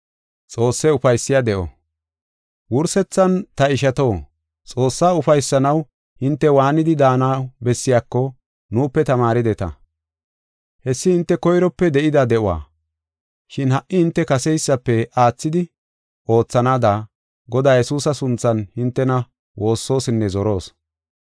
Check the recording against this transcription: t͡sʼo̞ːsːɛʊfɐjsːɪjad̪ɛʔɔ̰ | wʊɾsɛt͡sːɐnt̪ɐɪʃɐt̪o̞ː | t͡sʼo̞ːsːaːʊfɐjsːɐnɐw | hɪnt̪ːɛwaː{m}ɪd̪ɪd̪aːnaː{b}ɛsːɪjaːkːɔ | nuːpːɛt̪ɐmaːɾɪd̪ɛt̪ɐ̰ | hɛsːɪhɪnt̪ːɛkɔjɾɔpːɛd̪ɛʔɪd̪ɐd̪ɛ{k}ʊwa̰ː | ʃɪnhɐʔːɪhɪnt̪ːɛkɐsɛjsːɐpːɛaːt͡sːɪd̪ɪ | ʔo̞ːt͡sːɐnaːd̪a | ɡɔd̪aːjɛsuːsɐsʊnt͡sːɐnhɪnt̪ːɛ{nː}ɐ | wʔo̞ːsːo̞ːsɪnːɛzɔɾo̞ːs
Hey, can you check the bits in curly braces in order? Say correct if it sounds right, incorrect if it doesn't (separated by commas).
incorrect, correct, incorrect, incorrect